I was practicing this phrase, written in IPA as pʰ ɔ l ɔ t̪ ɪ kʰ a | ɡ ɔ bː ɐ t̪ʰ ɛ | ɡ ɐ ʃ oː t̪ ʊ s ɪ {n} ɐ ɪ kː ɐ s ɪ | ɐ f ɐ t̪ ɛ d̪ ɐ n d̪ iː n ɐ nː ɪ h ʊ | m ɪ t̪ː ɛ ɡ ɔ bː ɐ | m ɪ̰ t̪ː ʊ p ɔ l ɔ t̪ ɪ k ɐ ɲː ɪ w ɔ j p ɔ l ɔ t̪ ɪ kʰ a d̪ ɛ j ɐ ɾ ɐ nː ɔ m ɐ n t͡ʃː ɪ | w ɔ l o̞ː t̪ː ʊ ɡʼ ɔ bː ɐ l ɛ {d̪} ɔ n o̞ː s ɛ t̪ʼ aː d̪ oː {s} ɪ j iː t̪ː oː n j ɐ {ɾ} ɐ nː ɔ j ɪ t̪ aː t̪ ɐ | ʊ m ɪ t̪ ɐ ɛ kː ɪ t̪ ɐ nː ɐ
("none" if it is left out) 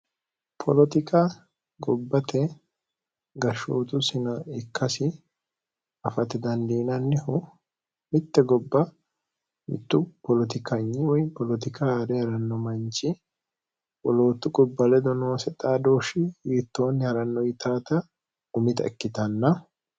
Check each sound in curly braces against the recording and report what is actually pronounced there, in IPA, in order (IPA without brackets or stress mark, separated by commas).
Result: n, d̪, ʃ, ɾ